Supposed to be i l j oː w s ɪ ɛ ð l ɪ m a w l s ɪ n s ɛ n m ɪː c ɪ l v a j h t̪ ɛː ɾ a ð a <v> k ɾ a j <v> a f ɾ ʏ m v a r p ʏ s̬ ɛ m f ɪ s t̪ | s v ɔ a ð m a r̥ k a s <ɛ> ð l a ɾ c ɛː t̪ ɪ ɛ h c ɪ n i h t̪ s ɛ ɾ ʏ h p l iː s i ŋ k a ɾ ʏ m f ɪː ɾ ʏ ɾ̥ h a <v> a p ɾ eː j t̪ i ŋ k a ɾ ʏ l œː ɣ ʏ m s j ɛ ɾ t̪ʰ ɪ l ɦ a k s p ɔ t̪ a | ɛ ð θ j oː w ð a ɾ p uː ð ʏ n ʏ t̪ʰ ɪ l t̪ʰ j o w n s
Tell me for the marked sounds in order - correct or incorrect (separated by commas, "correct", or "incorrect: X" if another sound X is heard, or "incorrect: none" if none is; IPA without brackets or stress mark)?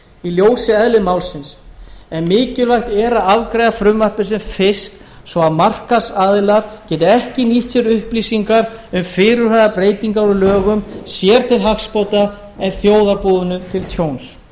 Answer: correct, incorrect: ð, incorrect: a, incorrect: ð